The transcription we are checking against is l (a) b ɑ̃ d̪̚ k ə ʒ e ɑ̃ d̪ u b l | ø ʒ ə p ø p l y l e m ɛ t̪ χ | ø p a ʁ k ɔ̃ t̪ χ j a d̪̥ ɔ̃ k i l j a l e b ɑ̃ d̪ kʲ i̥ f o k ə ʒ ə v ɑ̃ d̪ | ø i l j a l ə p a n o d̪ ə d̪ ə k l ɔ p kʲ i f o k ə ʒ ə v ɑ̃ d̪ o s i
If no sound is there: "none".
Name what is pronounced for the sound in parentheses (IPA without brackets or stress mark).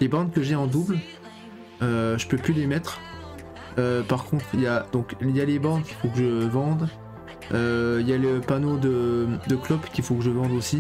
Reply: e